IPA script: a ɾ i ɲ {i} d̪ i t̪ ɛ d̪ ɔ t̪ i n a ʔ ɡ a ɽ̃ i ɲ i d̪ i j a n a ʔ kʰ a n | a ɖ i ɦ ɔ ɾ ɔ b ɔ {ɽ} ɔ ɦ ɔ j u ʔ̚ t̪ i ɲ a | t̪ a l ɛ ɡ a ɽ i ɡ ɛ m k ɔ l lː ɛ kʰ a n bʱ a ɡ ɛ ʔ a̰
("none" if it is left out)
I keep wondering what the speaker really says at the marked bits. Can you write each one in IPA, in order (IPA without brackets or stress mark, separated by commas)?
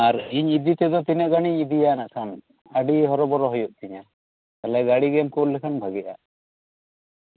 i, ɾ